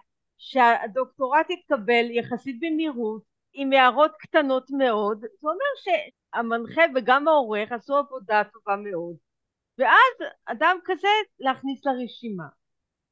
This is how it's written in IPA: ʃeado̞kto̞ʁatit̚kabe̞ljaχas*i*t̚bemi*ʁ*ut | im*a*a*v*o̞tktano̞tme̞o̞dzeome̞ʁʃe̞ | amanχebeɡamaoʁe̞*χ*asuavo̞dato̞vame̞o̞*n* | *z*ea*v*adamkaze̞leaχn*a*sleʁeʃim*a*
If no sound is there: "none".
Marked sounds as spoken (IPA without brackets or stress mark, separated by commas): i, ʁ, e, ʁ, χ, d, v, z, i, a